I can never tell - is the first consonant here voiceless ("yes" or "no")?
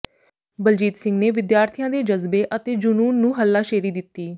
no